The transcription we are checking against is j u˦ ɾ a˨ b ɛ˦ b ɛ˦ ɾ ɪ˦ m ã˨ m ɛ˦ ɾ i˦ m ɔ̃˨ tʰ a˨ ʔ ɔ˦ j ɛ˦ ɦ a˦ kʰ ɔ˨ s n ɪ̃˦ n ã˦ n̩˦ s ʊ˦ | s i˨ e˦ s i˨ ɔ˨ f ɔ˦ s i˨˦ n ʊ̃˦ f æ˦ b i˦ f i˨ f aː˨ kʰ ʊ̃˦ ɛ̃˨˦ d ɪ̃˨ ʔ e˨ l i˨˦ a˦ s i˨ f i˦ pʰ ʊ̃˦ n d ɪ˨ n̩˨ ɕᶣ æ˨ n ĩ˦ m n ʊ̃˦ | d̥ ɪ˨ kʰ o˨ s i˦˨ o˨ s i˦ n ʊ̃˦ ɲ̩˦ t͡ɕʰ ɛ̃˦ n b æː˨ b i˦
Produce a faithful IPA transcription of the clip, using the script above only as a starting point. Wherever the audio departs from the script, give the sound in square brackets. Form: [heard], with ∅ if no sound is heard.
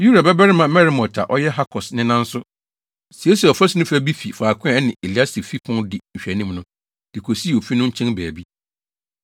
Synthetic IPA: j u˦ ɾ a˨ b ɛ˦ b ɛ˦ ɾ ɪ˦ m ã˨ m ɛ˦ ɾ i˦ m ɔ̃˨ tʰ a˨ ʔ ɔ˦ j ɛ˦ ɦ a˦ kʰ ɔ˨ s n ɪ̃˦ n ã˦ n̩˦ s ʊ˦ | s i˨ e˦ s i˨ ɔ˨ f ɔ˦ s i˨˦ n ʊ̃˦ f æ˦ b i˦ f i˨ f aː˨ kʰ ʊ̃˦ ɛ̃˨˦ [n] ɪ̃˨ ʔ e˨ l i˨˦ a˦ s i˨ f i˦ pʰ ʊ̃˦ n d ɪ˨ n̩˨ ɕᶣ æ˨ n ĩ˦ m n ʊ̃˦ | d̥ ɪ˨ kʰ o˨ s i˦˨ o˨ [f] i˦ n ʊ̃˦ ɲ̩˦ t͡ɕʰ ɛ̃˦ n b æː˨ b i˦